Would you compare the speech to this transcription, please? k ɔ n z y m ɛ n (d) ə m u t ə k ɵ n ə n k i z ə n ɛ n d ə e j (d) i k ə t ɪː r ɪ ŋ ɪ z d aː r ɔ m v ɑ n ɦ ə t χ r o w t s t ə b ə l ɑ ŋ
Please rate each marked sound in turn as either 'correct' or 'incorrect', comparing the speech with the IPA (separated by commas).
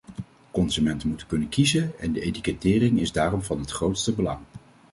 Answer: incorrect, incorrect